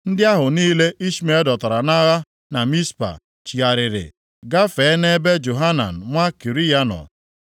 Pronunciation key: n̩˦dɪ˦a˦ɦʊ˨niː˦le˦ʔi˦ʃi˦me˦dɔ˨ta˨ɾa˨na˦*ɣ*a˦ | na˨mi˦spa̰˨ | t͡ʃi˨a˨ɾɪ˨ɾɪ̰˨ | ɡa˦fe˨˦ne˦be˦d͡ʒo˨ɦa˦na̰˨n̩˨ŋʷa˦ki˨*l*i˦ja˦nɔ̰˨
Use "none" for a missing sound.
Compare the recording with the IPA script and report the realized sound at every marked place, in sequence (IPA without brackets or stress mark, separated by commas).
ɣ, ɾ